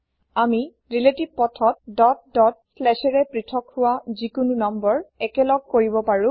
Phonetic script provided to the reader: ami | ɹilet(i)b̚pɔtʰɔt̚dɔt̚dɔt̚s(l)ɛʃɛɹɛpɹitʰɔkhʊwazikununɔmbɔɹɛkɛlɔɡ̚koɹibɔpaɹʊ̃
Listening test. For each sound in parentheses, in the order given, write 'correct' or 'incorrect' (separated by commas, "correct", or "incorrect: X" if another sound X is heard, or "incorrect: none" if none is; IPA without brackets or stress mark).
correct, correct